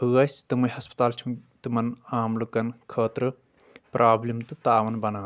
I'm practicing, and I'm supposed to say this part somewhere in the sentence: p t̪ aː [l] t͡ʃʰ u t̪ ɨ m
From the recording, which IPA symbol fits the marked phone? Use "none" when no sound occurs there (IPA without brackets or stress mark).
l